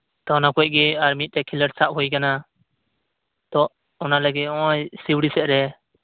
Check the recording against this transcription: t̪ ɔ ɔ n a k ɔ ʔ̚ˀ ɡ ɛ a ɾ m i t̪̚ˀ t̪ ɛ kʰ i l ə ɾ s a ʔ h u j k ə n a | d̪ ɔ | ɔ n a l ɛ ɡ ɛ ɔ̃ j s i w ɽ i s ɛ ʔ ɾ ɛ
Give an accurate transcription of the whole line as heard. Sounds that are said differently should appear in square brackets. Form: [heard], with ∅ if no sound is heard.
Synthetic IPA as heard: t̪ ɔ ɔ n a k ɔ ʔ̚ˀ ɡ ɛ a ɾ m i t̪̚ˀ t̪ ɛ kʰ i l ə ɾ s a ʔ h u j k [a] n a | [t̪] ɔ | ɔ n a l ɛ ɡ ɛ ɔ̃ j s i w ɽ i s ɛ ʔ ɾ ɛ